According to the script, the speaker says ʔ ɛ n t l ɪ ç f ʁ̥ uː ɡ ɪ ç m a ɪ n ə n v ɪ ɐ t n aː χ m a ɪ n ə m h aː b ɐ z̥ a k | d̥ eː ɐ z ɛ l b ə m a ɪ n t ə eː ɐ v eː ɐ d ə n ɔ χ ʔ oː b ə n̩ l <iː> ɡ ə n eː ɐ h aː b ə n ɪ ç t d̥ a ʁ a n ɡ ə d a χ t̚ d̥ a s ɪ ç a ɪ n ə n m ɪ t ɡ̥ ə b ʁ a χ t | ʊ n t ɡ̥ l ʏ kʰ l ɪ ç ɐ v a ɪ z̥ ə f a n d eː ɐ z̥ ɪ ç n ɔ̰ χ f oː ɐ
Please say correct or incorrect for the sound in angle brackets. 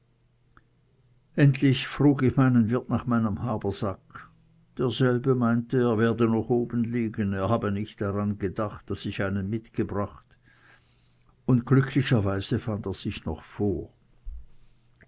correct